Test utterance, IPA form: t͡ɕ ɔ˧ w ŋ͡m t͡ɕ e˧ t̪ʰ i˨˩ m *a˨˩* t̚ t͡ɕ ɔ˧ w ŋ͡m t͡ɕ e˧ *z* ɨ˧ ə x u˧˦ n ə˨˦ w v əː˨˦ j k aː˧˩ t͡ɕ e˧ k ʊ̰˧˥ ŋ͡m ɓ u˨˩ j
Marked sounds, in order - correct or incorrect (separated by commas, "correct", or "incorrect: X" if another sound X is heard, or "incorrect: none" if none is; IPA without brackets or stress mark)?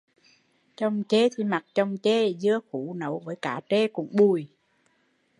correct, correct